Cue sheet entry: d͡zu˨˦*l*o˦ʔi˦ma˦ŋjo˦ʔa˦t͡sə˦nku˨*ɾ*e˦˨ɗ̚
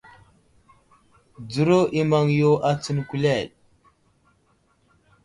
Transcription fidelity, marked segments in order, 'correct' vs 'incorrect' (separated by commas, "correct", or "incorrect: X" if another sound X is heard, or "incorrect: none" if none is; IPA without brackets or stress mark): incorrect: ɾ, incorrect: l